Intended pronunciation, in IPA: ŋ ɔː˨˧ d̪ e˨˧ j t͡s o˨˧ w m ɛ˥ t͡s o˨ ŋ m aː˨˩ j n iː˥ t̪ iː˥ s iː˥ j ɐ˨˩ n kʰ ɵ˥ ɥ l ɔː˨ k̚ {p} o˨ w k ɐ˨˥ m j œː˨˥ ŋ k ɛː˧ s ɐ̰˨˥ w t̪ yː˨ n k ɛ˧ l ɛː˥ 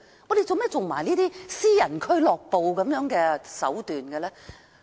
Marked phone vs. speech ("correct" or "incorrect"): correct